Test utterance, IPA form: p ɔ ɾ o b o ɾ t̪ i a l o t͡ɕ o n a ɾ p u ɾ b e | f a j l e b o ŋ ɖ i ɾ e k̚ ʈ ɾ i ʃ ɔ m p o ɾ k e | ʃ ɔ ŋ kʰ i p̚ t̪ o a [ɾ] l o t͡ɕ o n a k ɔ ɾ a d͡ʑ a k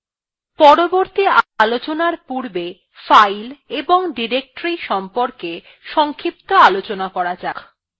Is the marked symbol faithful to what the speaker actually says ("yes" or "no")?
no